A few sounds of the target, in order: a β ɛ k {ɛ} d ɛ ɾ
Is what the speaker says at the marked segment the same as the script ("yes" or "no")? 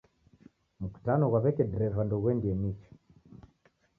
yes